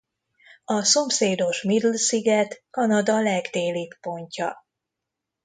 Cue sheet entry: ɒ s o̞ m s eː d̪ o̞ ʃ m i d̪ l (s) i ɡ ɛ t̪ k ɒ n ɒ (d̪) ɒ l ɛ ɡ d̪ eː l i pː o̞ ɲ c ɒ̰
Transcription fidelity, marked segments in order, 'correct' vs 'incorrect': correct, correct

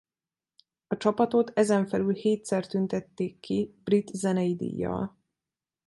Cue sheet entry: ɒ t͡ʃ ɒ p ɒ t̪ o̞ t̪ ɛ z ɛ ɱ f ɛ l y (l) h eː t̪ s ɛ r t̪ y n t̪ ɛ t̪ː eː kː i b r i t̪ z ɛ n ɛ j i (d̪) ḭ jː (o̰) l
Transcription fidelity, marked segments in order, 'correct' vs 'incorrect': correct, correct, incorrect

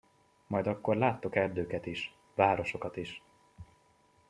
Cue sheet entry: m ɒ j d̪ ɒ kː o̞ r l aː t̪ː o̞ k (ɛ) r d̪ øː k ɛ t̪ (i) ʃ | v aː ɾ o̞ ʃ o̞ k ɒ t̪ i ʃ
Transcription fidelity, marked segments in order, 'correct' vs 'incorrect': correct, correct

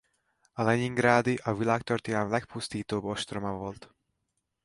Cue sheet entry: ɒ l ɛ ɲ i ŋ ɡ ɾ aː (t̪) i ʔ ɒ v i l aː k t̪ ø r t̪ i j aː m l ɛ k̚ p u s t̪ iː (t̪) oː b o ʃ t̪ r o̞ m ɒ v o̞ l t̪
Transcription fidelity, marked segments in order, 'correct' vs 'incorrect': incorrect, correct

